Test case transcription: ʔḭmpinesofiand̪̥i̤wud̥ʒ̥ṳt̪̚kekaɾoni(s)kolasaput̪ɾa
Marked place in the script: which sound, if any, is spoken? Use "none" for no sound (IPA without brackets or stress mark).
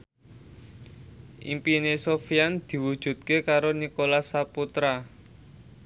none